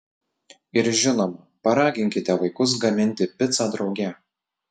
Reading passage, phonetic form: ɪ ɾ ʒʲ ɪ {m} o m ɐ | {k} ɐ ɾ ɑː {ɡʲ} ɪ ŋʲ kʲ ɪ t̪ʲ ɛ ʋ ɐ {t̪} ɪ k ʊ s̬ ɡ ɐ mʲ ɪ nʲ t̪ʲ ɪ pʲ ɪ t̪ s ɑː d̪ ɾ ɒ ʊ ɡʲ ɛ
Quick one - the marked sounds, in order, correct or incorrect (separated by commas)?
incorrect, incorrect, correct, incorrect